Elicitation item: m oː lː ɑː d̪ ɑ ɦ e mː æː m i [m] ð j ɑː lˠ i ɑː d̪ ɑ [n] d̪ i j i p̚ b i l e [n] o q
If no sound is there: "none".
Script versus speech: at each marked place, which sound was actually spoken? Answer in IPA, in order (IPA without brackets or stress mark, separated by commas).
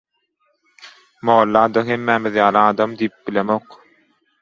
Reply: none, m, m